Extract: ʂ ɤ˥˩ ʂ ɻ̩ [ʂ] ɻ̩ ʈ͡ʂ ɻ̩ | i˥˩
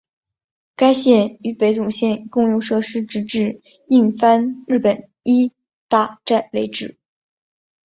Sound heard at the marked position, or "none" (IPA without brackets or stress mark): ʈ͡ʂ